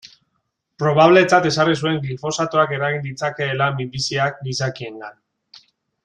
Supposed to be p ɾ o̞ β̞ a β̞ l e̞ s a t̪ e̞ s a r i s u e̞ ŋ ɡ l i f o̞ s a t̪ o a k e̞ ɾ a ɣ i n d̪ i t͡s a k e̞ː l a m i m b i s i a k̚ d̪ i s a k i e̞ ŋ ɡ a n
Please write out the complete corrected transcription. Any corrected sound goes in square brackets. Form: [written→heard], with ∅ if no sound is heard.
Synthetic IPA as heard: p ɾ o̞ β̞ a β̞ l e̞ [s→t͡s] a t̪ e̞ s a r i s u e̞ ŋ ɡ l i f o̞ s a t̪ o a k e̞ ɾ a ɣ i n d̪ i t͡s a k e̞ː l a m i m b i s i a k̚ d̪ i s a k i e̞ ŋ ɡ a n